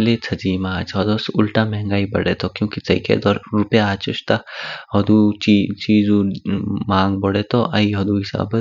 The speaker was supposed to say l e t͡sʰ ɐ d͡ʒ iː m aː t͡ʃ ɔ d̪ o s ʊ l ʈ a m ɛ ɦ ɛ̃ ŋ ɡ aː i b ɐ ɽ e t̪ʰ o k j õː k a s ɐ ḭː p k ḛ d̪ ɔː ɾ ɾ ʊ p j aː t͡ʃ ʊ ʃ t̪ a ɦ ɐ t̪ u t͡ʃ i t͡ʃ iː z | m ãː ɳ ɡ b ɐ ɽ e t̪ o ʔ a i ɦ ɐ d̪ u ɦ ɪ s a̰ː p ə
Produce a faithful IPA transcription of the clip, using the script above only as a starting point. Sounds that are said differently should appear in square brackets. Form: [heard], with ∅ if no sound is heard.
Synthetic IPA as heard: l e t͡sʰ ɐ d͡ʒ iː m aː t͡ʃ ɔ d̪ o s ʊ l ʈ a m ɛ ɦ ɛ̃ ŋ ɡ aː i b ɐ ɽ e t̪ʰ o k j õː k [i] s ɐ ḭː [∅] k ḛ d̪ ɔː ɾ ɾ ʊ p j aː t͡ʃ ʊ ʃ t̪ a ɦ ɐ [d̪] u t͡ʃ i t͡ʃ iː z | m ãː [ŋ] ɡ b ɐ ɽ e t̪ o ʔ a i ɦ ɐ d̪ u ɦ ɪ s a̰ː [b] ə